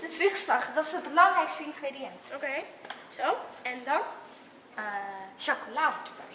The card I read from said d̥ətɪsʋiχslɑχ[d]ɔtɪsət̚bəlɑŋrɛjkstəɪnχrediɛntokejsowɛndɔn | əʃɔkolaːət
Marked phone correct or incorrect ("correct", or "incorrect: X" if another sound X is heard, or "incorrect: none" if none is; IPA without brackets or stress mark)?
correct